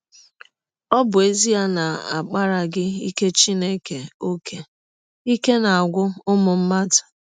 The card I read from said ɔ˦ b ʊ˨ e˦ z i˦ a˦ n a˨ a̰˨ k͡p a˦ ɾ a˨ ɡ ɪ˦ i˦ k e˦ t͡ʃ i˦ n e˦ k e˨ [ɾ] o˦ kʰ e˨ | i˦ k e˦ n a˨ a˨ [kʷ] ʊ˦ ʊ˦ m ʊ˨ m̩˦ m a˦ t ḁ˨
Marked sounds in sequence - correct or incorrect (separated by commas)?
incorrect, incorrect